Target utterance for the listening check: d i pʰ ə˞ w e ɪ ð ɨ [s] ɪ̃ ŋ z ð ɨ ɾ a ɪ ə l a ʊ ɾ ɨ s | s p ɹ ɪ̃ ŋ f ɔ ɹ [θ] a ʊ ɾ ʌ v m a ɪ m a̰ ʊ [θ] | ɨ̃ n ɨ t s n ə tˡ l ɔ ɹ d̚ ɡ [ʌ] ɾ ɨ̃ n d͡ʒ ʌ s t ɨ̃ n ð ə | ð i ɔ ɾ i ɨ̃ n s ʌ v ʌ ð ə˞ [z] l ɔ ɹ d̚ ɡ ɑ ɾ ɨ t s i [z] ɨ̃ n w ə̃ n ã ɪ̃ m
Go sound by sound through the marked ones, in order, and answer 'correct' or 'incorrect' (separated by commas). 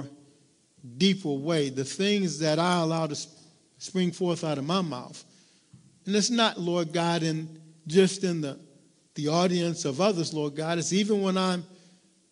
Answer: incorrect, correct, correct, incorrect, correct, incorrect